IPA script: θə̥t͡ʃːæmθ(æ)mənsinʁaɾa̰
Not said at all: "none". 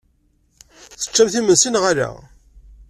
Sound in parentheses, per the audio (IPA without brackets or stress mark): i